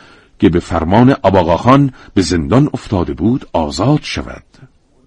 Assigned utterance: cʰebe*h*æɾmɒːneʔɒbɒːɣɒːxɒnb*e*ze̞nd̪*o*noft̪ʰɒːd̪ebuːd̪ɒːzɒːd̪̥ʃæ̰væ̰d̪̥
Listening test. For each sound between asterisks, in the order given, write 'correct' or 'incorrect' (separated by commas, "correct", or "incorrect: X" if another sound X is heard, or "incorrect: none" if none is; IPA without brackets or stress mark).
incorrect: f, correct, incorrect: ɒ